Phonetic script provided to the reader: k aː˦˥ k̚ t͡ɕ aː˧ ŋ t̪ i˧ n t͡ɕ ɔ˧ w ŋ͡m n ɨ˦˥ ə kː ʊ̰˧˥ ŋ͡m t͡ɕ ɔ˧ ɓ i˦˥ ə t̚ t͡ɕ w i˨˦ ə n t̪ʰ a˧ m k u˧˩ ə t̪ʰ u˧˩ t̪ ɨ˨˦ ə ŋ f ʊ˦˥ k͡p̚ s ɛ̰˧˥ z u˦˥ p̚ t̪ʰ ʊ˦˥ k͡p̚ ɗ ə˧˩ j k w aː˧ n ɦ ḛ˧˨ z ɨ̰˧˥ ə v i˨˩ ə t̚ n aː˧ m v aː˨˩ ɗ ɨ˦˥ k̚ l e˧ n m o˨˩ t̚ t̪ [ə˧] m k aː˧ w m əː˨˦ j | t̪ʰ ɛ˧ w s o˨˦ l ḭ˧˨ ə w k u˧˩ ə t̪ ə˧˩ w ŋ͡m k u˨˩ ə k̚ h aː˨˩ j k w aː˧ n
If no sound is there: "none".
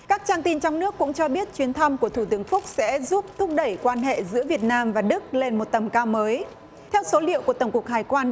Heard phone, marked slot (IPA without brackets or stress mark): ə˨˩